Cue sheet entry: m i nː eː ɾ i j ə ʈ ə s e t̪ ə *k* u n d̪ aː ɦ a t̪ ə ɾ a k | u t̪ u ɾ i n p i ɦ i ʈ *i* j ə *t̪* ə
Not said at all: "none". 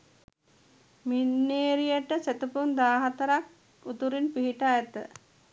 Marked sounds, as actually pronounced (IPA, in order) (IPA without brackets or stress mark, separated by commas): p, a, t̪